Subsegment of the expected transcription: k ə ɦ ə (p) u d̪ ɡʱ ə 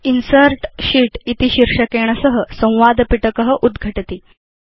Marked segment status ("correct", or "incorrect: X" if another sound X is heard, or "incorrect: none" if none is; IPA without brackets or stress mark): incorrect: ʔ